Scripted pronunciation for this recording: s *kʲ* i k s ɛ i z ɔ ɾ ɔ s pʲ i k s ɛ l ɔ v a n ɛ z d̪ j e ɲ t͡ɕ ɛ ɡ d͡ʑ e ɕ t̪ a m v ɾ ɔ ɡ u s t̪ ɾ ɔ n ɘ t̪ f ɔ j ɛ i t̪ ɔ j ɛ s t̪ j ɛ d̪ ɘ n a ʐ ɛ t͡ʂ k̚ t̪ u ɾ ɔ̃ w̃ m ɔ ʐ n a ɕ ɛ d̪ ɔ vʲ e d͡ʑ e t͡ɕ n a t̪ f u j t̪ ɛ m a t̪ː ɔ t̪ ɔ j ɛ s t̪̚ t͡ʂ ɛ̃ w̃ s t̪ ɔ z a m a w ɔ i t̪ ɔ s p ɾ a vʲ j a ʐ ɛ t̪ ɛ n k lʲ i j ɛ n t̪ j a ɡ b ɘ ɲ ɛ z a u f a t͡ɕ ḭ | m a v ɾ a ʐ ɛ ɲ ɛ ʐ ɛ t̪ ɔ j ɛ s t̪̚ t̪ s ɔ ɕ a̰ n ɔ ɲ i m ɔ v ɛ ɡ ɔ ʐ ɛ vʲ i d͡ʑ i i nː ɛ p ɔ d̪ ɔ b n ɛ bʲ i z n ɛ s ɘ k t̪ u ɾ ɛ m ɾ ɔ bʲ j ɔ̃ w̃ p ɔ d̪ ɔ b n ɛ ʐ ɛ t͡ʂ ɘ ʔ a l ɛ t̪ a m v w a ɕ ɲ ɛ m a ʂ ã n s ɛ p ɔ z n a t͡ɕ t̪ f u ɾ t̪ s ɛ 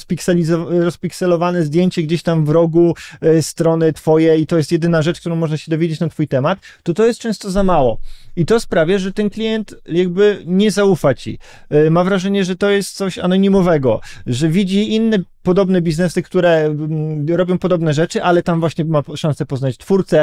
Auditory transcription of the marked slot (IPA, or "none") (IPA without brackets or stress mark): pʲ